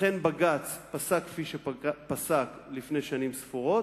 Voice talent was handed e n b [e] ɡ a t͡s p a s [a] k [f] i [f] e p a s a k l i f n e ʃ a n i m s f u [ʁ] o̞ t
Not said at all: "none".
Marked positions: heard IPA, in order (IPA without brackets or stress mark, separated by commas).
a, a, f, ʃ, ʁ